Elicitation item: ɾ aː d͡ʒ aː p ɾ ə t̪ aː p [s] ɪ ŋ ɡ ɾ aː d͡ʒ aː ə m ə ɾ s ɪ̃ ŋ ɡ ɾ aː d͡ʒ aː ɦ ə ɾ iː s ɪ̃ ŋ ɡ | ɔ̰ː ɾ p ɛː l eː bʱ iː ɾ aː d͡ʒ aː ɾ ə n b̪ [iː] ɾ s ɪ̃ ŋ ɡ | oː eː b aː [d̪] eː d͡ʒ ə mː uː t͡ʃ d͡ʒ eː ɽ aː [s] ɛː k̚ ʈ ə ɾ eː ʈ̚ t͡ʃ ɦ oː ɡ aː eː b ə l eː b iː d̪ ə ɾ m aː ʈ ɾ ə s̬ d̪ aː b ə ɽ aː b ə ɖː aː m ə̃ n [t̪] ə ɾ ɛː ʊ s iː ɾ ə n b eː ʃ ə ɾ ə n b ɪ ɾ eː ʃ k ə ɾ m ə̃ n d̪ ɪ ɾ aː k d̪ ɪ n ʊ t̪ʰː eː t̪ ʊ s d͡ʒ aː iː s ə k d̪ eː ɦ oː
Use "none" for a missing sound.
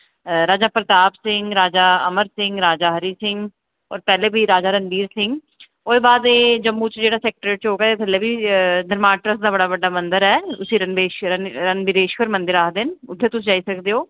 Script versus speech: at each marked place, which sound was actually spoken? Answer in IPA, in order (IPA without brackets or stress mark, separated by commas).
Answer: s, iː, d̪, s, d̪